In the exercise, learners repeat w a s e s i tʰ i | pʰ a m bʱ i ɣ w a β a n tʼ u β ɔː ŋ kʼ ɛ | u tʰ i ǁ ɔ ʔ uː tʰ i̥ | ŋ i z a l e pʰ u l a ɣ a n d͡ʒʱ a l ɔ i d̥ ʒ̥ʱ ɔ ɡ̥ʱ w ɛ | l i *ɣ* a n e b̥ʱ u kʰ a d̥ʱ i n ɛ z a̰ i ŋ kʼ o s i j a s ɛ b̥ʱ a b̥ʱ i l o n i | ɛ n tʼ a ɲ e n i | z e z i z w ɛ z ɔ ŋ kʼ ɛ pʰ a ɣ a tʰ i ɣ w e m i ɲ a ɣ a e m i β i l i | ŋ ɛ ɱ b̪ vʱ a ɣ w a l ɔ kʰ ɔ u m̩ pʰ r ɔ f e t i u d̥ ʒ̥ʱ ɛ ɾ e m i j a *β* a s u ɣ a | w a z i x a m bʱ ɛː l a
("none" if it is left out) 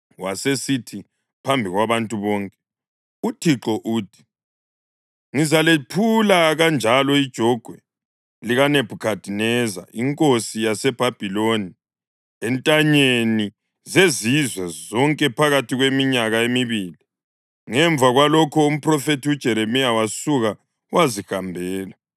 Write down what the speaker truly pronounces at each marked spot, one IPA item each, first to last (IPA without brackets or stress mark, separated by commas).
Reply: ɣ, w